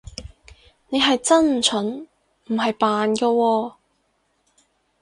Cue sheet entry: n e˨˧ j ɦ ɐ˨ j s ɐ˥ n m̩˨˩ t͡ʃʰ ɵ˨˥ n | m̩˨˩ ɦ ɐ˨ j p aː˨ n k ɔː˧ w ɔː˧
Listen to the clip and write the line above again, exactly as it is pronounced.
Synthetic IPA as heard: n e˨˧ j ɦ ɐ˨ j t͡s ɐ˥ n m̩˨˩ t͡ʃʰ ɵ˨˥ n | m̩˨˩ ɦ ɐ˨ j p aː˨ n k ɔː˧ w ɔː˧